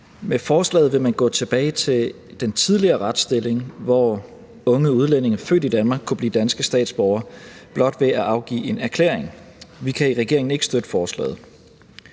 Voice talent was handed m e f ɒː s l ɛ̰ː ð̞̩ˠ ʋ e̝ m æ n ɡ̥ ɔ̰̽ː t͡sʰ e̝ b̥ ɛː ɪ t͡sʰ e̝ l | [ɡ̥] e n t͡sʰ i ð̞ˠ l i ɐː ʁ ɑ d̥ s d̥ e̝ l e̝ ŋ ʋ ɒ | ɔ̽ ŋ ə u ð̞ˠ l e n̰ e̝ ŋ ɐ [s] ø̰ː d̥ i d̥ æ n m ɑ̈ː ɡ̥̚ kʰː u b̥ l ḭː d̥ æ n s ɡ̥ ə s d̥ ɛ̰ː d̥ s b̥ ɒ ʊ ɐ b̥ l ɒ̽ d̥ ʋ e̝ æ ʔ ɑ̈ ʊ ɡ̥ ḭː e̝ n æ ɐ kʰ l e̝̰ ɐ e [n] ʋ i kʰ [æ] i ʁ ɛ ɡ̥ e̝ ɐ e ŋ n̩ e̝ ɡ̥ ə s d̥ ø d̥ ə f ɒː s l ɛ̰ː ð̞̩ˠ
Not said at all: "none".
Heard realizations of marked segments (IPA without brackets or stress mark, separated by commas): d̥, f, ŋ, æ